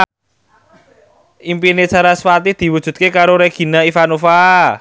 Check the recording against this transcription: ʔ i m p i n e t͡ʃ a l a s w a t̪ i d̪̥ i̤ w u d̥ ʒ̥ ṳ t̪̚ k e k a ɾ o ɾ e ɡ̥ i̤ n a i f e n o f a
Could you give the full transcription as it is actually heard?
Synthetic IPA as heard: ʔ i m p i n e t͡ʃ a ɾ a s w a t̪ i d̪̥ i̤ w u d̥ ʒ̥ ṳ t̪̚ k e k a ɾ o ɾ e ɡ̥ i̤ n a i f a n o f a